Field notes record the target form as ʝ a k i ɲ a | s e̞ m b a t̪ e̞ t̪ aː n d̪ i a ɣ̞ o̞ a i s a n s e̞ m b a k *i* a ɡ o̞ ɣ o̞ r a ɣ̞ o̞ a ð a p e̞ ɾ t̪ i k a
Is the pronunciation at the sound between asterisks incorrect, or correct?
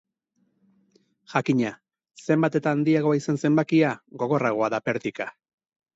correct